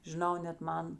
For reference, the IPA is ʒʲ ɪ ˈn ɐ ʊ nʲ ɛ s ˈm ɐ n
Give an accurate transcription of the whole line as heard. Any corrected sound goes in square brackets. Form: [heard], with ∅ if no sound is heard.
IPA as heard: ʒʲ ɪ ˈn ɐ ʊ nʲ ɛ [t] ˈm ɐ n